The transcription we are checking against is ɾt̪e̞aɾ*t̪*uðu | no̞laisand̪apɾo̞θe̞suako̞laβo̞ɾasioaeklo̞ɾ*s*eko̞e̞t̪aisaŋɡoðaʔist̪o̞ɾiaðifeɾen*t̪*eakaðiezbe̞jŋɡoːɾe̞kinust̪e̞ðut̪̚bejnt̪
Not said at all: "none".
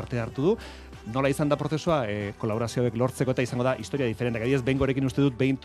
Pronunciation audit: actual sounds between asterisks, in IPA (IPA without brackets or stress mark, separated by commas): t̪, t͡s, t̪